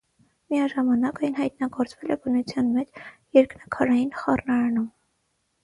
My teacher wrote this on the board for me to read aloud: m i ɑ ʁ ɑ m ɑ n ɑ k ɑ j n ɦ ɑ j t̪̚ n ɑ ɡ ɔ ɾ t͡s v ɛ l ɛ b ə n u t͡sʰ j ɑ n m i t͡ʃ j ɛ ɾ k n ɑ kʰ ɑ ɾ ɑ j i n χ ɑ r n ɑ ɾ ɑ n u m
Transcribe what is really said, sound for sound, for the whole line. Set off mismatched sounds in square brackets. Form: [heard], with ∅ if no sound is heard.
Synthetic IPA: m i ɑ [ʒ] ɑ m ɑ n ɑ k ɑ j n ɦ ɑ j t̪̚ n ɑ ɡ ɔ ɾ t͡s v ɛ l ɛ b ə n u t͡sʰ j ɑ n m [ɛ] t͡ʃ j ɛ ɾ k n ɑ kʰ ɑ ɾ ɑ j i n χ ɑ r n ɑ ɾ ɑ n u m